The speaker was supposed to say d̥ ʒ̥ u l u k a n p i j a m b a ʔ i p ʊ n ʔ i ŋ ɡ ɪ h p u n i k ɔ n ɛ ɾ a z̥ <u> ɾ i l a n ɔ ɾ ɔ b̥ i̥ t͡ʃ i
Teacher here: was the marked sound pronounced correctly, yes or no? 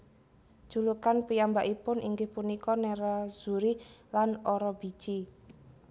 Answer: yes